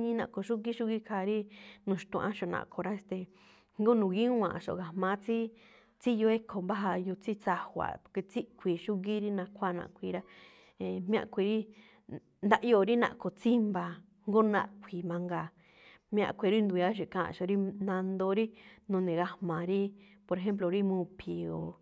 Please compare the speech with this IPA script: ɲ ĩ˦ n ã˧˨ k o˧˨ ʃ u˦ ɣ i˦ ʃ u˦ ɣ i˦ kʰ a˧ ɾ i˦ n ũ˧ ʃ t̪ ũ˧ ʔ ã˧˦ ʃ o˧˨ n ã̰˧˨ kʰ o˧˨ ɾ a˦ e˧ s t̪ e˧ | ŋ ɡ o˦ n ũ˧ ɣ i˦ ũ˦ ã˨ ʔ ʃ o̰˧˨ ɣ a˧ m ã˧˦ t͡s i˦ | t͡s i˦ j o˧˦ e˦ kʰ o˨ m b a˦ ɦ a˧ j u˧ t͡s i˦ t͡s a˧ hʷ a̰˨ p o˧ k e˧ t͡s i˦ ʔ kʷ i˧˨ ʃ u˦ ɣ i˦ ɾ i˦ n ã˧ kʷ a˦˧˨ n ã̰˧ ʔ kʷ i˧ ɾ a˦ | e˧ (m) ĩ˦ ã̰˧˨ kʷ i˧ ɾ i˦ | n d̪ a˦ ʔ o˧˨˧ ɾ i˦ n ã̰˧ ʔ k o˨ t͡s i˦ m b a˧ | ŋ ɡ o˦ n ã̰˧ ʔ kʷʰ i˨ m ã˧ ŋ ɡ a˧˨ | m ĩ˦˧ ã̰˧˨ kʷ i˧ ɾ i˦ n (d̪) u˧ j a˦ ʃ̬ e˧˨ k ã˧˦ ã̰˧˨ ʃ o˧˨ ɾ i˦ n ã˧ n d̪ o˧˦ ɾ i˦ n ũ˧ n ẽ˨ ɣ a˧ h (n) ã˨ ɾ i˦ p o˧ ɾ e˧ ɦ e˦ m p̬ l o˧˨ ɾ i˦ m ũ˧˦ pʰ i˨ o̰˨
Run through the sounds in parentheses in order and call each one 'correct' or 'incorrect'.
correct, correct, incorrect: m

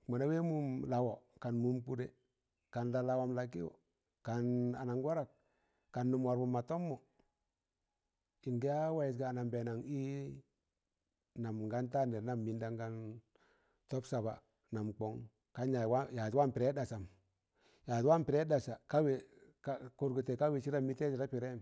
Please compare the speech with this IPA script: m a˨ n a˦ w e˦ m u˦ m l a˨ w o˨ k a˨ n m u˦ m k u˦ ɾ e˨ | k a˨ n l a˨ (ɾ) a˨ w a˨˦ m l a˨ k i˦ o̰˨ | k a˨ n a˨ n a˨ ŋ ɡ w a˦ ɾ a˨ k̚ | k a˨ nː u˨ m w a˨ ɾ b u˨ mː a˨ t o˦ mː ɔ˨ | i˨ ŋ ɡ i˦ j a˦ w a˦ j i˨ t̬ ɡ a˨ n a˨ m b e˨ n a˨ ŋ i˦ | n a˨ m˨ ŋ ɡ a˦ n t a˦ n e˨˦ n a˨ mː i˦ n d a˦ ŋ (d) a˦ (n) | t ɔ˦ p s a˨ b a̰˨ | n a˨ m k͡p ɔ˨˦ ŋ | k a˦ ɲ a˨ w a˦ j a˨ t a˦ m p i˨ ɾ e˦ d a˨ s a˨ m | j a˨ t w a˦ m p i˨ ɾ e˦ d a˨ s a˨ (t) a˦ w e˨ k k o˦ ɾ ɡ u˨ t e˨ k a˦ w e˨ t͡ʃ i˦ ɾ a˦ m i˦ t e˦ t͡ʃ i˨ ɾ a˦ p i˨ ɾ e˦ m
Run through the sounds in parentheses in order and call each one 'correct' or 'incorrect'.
incorrect: l, incorrect: ɡ, correct, incorrect: k

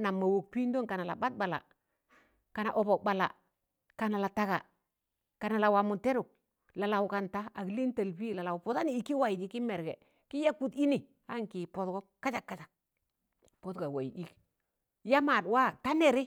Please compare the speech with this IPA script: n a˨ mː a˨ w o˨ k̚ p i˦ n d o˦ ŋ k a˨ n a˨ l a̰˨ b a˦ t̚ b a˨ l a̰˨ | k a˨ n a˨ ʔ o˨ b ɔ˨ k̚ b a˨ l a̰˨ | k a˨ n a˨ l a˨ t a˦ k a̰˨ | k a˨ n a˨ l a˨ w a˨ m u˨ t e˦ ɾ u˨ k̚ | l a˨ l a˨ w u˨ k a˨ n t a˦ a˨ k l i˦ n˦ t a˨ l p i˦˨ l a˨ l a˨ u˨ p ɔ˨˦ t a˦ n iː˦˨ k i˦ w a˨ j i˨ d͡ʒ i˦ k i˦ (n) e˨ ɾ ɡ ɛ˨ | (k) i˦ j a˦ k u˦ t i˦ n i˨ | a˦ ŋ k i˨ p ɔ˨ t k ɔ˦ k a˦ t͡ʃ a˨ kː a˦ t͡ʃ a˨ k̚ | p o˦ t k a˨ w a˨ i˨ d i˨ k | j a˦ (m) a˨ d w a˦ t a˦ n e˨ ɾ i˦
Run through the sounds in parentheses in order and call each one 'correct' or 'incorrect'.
incorrect: m, correct, correct

